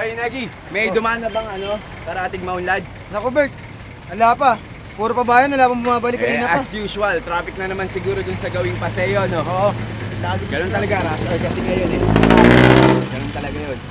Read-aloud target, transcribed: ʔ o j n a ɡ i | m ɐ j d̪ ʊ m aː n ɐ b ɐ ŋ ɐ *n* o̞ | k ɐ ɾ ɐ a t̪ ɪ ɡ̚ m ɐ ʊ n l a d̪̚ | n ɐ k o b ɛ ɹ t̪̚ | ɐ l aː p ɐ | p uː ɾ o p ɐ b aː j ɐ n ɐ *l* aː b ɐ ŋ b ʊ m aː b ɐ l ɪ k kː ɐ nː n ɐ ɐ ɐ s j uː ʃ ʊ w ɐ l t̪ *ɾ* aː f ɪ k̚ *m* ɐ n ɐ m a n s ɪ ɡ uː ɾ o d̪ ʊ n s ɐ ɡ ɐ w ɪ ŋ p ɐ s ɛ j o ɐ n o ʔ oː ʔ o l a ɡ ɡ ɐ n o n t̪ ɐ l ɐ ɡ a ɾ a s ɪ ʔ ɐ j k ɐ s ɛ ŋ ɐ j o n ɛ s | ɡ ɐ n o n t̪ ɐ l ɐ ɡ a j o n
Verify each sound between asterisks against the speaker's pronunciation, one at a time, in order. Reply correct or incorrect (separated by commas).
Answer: correct, correct, correct, incorrect